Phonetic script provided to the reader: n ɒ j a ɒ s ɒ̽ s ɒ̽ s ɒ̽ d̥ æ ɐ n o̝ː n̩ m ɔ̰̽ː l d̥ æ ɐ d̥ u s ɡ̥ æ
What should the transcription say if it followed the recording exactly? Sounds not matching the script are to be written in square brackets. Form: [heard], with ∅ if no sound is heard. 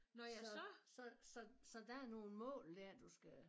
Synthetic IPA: n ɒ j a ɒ s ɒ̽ s ɒ̽ s ɒ̽ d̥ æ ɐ n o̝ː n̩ m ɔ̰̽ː l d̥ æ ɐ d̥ u s ɡ̥ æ